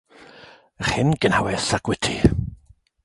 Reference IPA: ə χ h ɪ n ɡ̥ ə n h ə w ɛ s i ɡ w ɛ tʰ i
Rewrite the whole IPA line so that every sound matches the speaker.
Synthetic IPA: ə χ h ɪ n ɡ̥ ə n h a w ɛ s a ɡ w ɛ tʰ i